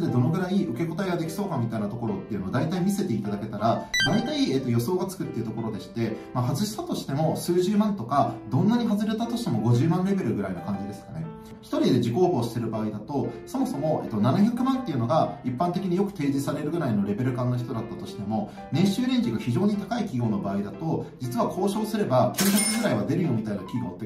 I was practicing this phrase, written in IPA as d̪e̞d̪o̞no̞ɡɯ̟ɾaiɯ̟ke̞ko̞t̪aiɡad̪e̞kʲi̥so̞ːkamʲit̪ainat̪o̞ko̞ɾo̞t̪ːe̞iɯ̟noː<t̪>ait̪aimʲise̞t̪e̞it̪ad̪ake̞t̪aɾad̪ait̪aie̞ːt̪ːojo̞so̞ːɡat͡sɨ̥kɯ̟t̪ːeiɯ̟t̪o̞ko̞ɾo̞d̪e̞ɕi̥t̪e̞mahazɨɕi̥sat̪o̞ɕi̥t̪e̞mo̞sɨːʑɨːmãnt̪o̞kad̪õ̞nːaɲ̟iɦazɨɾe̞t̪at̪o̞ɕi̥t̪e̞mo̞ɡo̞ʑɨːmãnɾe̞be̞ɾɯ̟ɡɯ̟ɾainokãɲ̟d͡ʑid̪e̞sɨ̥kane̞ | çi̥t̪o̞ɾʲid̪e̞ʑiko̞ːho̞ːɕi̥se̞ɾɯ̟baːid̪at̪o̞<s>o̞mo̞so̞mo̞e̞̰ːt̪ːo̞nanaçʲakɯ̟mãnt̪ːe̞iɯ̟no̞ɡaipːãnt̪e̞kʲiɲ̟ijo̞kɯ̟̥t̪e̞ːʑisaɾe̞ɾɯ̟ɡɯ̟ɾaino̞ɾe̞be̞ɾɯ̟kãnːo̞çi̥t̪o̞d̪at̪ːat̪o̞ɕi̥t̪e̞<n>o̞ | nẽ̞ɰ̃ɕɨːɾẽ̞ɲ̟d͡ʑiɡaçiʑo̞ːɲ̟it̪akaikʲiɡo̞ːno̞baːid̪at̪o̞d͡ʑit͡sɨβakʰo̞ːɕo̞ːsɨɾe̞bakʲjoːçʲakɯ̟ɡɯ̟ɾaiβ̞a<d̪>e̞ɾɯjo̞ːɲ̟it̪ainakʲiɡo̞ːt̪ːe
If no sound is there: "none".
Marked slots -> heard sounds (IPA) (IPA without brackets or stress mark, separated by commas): d̪, s, m, d̪